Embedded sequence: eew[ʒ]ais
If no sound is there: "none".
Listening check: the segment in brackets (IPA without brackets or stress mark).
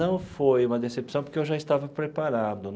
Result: ʒ